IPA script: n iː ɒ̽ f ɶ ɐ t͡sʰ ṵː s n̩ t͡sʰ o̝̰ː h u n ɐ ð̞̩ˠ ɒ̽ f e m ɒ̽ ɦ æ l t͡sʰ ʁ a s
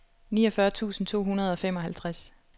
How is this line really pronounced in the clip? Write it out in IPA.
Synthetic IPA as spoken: n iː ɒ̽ f ɶ ɐ t͡sʰ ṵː s n̩ t͡sʰ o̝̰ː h u n ɐ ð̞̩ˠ ɒ̽ f e m ɒ̽ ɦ æ l t͡sʰ ʁ a s